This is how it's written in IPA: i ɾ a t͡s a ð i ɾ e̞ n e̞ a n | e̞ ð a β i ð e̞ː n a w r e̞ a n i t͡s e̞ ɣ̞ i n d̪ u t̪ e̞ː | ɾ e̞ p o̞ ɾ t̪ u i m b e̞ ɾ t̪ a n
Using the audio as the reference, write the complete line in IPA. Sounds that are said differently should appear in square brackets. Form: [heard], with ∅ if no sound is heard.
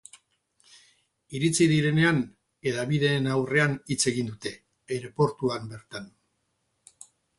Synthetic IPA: i ɾ [i] t͡s [i] ð i ɾ e̞ n e̞ a n | e̞ ð a β i ð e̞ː n a w r e̞ a n i t͡s e̞ ɣ̞ i n d̪ u t̪ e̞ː | ɾ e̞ p o̞ ɾ t̪ u [a] m b e̞ ɾ t̪ a n

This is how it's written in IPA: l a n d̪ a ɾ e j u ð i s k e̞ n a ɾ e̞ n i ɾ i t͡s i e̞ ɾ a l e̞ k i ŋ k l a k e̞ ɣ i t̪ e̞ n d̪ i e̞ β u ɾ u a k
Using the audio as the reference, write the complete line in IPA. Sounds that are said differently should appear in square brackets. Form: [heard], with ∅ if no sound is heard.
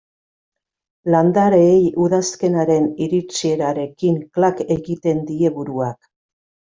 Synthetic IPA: l a n d̪ a ɾ e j u ð [a] s k e̞ n a ɾ e̞ n i ɾ i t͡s i e̞ ɾ a [ɾ] e̞ k i ŋ k l a k e̞ ɣ i t̪ e̞ n d̪ i e̞ β u ɾ u a k

